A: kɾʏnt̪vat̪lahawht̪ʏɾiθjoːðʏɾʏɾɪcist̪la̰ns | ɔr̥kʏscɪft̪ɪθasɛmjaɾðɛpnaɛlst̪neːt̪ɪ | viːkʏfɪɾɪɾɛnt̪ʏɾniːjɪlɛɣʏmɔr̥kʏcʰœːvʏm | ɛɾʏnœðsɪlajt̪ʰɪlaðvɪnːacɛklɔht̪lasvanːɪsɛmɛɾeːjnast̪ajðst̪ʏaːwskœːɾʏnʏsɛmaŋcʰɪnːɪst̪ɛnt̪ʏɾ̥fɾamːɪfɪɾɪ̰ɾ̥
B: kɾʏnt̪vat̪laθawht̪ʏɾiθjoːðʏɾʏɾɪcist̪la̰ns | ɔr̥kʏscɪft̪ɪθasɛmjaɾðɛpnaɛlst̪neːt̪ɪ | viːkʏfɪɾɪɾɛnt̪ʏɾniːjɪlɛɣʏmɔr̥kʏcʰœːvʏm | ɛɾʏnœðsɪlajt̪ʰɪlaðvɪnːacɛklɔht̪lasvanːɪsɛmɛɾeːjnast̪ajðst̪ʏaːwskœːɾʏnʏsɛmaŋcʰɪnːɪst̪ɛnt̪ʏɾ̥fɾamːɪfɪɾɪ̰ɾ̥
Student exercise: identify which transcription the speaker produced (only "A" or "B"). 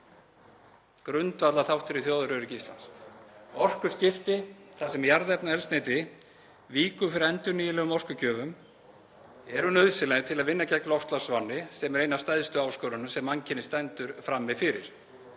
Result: B